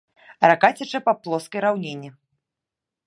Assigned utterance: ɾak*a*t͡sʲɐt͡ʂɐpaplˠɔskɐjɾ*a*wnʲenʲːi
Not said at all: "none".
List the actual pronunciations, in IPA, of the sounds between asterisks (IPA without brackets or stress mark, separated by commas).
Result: a, a